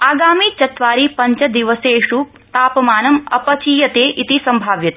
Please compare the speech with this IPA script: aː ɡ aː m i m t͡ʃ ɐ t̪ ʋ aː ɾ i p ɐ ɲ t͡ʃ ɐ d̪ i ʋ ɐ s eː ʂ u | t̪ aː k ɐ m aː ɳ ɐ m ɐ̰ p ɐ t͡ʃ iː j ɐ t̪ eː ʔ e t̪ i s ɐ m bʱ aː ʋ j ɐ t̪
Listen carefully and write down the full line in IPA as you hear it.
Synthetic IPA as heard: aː ɡ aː m i t͡ʃ ɐ t̪ ʋ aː ɾ i p ɐ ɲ t͡ʃ ɐ d̪ i ʋ ɐ s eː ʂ u | t̪ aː p ɐ m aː n ɐ m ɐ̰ p ɐ t͡ʃ iː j ɐ t̪ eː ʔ i t̪ i s ɐ m bʱ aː ʋ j ɐ t̪